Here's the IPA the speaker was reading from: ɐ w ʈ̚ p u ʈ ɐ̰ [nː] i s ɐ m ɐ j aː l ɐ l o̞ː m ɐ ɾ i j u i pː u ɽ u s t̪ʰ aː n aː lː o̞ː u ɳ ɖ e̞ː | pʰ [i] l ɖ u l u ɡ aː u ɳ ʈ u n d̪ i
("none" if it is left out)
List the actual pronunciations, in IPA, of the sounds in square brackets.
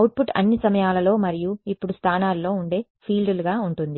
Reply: nː, iː

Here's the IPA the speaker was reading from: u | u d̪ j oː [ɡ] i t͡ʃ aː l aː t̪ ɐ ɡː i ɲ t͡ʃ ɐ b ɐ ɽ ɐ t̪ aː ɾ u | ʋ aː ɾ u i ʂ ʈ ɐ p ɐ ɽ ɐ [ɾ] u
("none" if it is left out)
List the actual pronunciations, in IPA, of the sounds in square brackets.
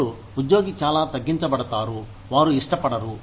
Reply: ɡ, ɾ

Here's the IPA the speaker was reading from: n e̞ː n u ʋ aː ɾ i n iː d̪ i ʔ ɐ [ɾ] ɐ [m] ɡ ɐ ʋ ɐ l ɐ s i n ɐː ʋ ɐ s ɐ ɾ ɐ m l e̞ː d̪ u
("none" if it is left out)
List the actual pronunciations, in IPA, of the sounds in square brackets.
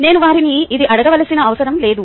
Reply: ɽ, none

